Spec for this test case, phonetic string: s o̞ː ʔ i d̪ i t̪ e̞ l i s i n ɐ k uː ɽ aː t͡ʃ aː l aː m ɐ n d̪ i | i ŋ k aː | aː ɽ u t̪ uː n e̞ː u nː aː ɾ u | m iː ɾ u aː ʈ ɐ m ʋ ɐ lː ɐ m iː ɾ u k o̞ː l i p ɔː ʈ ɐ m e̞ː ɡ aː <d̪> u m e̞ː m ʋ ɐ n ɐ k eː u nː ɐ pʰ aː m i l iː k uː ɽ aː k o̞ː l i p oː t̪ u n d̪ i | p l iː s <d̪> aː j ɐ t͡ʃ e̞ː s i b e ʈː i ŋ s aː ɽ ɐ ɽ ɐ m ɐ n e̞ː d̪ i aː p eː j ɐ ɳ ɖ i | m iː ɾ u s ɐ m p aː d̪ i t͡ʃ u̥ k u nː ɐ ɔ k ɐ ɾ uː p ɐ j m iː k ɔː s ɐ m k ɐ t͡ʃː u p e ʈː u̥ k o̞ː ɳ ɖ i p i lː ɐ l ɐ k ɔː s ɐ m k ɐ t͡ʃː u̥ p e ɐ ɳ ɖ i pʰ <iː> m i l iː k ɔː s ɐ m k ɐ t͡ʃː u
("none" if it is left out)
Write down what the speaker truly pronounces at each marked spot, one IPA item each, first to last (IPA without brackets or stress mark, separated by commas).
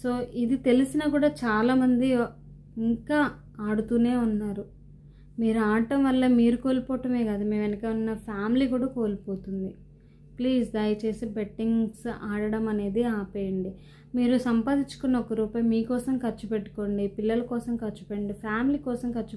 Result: d̪, d̪, aː